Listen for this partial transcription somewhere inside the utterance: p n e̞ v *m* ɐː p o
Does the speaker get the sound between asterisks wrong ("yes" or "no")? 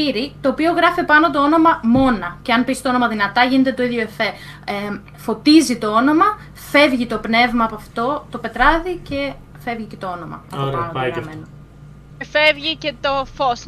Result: no